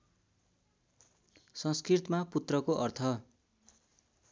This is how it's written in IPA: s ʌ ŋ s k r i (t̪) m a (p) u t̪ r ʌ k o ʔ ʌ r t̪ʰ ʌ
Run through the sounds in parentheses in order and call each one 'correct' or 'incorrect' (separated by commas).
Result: correct, correct